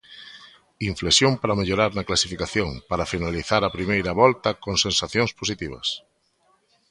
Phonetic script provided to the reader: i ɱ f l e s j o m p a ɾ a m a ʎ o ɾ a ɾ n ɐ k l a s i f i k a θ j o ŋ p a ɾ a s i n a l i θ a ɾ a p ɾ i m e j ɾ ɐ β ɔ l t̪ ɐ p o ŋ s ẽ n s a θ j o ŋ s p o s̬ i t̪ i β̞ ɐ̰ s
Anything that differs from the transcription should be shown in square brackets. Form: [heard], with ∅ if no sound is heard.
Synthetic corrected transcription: i ɱ f l e s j o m p a ɾ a m [e] ʎ o ɾ a ɾ n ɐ k l a s i f i k a θ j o ŋ p a ɾ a [f] i n a l i θ a ɾ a p ɾ i m e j ɾ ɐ β ɔ l t̪ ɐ [k] o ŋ s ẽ n s a θ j o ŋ s p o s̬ i t̪ i β̞ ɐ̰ s